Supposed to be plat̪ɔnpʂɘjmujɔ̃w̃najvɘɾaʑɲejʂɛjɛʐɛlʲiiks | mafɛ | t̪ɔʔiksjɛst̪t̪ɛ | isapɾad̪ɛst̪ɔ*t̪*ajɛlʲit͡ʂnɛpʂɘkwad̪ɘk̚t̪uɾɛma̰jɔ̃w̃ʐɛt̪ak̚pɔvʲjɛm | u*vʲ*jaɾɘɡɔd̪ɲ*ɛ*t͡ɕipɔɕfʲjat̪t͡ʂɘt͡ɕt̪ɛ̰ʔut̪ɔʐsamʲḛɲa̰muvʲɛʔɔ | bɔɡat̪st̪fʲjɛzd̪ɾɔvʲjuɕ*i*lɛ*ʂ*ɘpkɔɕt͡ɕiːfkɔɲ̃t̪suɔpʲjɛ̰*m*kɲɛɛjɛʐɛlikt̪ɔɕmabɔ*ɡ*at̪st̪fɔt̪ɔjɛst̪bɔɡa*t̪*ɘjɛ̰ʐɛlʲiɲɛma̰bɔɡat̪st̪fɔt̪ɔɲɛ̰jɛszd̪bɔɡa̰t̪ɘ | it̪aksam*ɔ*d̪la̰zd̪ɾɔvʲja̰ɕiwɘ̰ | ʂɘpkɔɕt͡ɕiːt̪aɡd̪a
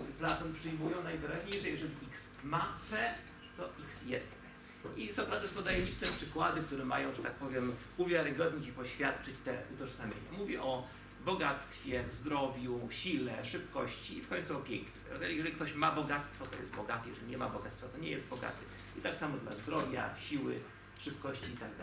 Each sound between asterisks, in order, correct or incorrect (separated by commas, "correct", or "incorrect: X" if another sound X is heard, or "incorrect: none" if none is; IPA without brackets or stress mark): incorrect: d̪, correct, incorrect: i, correct, correct, incorrect: ŋ, correct, correct, correct